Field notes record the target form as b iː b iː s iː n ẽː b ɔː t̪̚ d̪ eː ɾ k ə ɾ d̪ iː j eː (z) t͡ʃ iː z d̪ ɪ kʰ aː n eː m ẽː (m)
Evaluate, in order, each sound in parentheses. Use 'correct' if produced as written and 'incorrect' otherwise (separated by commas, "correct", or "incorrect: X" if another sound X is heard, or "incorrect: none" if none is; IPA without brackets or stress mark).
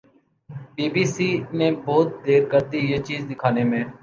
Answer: incorrect: none, incorrect: none